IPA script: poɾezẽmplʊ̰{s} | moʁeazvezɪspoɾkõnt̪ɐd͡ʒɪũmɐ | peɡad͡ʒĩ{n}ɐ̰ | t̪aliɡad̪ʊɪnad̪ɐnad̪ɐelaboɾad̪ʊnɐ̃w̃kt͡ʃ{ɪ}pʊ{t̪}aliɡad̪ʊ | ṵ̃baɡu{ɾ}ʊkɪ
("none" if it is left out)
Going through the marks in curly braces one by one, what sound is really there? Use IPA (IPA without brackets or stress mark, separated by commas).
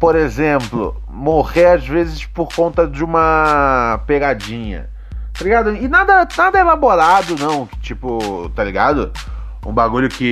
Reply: none, ɲ, i, t̪, ʎ